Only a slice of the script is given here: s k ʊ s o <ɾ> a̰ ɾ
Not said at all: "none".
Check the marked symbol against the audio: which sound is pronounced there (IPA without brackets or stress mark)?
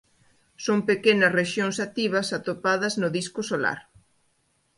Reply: l